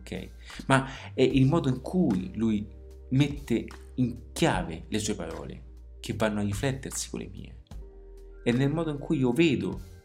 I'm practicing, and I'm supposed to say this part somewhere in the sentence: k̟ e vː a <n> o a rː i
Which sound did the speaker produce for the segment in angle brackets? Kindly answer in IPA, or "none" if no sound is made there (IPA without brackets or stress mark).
nː